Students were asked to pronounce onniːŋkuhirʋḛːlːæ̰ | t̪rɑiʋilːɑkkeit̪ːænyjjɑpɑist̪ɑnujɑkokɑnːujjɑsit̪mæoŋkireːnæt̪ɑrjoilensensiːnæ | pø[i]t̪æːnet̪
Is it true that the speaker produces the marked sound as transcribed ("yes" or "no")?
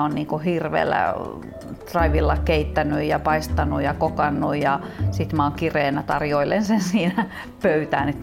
no